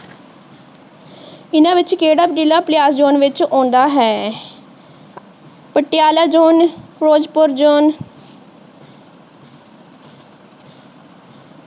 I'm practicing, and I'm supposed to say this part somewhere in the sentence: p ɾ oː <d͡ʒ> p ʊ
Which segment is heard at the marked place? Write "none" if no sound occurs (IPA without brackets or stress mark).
d͡ʒ